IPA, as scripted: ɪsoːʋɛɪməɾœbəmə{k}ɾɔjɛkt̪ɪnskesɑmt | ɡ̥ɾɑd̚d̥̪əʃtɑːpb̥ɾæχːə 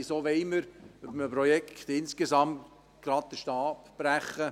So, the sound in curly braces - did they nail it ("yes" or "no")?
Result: no